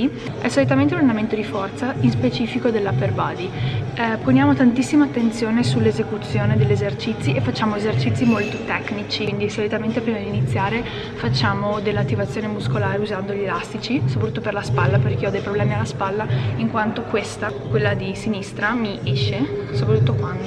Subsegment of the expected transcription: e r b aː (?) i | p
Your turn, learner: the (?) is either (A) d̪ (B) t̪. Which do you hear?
A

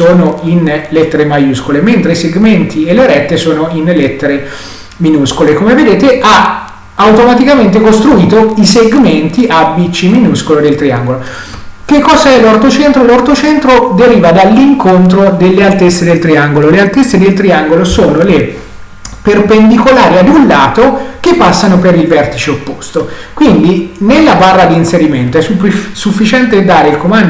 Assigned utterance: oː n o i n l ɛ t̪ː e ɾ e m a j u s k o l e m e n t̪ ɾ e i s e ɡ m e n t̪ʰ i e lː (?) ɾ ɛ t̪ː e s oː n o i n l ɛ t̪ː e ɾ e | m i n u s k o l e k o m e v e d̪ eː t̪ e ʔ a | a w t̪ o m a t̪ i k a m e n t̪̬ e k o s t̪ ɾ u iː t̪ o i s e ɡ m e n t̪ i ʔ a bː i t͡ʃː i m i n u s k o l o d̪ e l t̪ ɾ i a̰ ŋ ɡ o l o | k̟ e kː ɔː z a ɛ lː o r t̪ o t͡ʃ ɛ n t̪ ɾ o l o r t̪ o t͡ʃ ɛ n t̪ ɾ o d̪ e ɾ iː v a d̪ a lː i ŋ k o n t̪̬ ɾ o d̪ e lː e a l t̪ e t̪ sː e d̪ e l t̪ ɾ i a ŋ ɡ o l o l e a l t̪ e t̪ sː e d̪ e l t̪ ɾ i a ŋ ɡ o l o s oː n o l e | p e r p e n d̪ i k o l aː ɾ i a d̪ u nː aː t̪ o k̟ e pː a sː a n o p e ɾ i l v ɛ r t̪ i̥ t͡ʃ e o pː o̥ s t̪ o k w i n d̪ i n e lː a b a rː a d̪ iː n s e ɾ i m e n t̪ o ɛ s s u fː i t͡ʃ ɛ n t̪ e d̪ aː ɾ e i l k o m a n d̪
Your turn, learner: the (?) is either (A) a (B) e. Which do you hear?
B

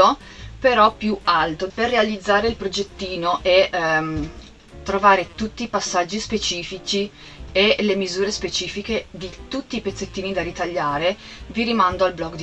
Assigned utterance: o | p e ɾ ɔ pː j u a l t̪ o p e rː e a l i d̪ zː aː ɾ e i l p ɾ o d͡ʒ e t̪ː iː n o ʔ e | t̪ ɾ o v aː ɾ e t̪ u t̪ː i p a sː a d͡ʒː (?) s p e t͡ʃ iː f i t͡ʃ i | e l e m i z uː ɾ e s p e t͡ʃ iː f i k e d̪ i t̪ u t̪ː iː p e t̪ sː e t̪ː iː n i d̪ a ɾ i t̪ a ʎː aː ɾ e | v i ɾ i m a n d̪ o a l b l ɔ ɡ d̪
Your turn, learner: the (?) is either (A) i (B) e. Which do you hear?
A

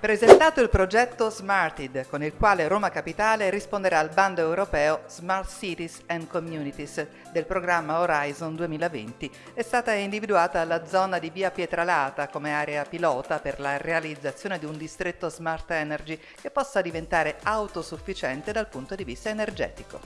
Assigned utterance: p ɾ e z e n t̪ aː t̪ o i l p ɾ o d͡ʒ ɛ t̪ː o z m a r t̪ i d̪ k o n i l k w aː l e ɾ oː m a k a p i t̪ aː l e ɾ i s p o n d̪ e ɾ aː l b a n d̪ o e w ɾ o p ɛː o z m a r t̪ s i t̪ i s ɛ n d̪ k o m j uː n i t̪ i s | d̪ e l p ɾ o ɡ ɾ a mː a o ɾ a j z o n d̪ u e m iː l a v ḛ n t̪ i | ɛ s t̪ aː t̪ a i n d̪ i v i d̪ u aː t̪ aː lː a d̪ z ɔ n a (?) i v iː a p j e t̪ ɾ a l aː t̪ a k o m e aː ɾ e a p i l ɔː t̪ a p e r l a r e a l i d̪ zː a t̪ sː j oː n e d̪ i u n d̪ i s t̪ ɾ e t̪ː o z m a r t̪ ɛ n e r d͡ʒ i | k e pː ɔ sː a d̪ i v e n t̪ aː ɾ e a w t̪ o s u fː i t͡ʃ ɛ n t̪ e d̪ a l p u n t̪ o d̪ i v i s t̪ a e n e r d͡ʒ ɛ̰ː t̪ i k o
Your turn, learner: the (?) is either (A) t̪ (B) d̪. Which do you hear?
B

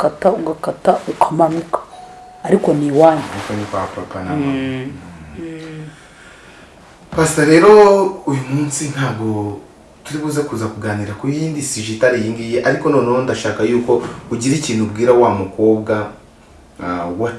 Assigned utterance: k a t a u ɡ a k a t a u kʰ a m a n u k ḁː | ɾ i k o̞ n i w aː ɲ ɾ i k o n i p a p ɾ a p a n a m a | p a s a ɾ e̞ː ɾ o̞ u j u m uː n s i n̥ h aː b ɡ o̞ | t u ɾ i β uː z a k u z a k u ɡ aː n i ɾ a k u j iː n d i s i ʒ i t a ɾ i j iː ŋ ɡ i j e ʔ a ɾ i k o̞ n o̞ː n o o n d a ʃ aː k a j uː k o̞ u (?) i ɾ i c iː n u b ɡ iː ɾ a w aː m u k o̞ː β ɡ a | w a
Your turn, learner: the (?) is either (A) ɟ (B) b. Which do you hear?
A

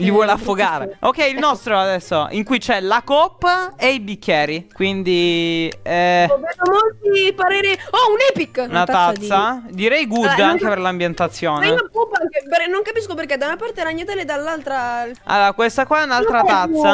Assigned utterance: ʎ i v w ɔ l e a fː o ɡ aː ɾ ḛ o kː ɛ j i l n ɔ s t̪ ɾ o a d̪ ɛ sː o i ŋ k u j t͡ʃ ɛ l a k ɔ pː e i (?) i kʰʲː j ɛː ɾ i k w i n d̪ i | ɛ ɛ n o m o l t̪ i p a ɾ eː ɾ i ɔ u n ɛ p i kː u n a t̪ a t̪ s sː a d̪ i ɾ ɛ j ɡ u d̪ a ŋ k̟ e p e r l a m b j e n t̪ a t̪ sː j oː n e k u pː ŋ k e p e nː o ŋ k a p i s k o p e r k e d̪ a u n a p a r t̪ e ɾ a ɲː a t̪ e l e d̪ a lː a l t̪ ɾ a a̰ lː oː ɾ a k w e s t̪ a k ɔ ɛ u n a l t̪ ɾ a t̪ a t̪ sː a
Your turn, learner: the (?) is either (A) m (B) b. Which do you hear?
B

